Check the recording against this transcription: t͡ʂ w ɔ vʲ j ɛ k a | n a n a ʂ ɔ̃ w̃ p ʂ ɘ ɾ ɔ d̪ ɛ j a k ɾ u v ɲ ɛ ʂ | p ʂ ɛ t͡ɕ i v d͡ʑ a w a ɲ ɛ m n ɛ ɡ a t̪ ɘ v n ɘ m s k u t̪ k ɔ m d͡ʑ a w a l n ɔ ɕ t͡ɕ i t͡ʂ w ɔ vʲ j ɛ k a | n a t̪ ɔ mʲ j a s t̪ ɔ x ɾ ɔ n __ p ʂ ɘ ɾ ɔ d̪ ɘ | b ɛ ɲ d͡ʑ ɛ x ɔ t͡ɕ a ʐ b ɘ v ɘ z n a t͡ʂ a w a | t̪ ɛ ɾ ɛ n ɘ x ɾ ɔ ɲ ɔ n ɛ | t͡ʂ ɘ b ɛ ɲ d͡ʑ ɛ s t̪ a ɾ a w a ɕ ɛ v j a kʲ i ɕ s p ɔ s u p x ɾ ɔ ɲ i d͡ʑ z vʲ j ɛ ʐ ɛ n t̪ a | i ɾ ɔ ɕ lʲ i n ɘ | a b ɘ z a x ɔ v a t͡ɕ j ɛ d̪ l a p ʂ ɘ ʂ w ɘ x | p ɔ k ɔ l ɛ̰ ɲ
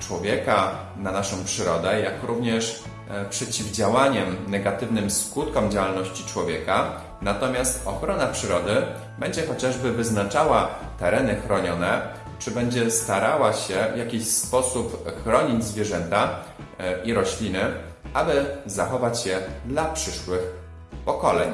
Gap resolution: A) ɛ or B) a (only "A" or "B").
B